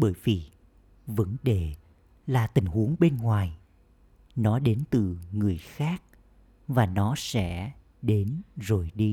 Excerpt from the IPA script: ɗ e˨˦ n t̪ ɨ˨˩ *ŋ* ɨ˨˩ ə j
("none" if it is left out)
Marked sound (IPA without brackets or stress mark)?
ŋ